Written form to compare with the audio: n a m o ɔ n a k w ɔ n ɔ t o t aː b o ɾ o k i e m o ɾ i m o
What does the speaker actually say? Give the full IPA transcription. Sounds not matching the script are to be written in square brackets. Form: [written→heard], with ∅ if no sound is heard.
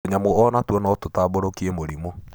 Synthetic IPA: [n→ɲ] a m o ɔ n a [k→t] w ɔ n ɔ t o t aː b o ɾ o k i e m o ɾ i m o